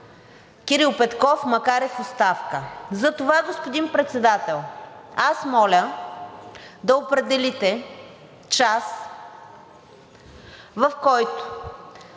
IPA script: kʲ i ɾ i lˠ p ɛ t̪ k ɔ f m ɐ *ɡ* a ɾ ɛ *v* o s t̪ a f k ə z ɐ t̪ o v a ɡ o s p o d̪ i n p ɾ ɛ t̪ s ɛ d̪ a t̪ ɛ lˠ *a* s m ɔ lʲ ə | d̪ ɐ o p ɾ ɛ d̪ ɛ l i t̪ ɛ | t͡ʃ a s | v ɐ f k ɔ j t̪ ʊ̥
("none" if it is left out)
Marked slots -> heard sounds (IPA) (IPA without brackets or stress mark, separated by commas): k, f, a